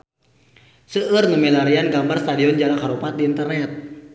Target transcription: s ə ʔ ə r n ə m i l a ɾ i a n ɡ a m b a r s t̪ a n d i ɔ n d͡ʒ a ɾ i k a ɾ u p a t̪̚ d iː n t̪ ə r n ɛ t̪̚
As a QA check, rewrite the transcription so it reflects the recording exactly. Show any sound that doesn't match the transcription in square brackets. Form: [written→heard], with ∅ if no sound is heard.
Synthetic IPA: s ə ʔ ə r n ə m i l a ɾ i a n ɡ a m b a r s t̪ a [n→∅] d i ɔ n d͡ʒ a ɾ [i→a] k a ɾ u p a t̪̚ d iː n t̪ ə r n ɛ t̪̚